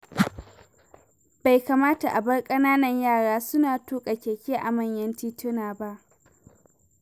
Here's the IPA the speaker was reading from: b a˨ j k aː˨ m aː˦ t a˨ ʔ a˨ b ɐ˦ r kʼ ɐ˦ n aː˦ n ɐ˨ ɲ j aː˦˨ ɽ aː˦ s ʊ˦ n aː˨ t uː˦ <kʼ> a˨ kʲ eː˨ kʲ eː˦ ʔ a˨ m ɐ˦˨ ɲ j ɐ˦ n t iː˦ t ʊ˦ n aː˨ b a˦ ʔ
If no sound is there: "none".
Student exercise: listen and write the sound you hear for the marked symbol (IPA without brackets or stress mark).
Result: kʼ